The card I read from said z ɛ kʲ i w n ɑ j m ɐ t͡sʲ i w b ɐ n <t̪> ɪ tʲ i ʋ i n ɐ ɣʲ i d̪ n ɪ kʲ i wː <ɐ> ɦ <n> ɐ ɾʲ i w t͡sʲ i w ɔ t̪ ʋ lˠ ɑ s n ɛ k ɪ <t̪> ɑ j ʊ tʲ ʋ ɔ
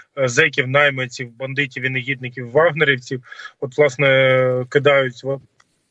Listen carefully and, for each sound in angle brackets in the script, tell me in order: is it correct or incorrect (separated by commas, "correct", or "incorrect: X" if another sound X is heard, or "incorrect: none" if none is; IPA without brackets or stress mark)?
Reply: incorrect: d̪, incorrect: ɑ, correct, incorrect: d̪